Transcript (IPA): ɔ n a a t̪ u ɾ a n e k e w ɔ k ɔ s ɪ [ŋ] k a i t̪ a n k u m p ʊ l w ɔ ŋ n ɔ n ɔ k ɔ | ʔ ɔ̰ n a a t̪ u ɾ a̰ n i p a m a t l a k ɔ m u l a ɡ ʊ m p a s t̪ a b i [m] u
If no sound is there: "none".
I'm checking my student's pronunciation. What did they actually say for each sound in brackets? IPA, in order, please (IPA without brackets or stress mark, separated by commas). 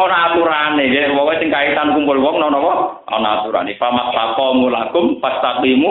ŋ, m